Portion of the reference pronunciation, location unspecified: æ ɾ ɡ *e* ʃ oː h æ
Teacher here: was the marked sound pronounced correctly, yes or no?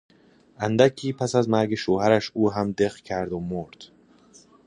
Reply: yes